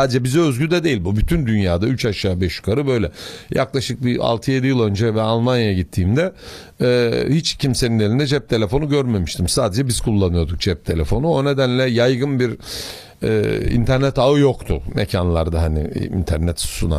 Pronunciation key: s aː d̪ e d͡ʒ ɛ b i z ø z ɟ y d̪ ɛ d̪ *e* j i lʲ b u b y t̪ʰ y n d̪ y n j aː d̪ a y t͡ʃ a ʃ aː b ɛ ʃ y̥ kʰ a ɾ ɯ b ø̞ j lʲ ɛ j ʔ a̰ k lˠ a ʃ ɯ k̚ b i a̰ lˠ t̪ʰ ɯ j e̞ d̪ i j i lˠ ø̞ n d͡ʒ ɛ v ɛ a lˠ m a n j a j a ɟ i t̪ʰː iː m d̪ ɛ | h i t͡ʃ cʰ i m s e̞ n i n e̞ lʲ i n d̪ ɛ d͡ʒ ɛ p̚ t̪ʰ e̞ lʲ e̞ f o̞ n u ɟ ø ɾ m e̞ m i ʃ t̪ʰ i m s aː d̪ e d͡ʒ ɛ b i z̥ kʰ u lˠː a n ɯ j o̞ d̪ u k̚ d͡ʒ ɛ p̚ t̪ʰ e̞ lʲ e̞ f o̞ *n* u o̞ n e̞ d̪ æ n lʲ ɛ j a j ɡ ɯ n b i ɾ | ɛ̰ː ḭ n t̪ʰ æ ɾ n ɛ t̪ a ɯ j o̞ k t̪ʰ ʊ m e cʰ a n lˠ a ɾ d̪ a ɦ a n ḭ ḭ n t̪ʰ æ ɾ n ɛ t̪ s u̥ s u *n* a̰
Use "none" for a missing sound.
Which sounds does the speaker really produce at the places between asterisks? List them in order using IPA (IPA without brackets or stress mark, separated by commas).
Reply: e, n, n